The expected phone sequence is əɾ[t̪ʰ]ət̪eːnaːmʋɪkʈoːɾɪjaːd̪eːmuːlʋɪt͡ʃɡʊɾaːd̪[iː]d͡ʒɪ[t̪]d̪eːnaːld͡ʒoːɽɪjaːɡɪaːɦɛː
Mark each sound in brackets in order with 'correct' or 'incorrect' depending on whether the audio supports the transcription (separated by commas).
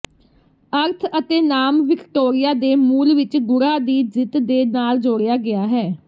correct, correct, correct